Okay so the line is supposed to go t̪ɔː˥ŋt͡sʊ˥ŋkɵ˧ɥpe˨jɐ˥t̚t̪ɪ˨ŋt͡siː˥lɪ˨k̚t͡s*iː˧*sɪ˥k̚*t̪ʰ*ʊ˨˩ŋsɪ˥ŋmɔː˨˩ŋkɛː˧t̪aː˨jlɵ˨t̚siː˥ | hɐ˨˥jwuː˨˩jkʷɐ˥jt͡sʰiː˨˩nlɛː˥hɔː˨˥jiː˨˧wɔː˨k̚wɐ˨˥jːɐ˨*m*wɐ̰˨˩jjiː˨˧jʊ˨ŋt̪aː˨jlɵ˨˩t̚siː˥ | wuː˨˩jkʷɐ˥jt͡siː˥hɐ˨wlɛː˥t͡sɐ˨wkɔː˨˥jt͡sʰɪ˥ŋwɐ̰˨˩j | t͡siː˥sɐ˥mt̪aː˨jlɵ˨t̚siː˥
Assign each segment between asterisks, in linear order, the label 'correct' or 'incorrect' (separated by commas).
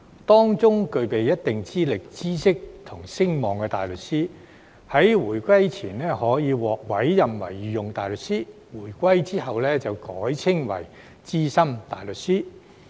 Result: incorrect, correct, correct